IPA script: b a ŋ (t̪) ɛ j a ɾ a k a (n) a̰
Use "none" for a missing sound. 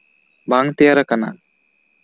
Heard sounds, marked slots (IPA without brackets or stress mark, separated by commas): t̪, n